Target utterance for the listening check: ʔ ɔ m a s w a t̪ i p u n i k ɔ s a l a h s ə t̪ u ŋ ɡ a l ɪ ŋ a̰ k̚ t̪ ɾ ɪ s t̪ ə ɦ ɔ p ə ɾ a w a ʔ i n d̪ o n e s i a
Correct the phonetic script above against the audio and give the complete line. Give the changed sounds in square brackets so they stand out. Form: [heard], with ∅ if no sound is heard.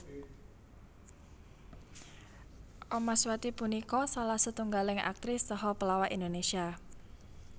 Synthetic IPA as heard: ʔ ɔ m a s w a t̪ i p u n i k ɔ s a l a h s ə t̪ u ŋ ɡ a l ɪ ŋ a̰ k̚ t̪ ɾ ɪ s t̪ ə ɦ ɔ p ə [l] a w a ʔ i n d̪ o n e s i a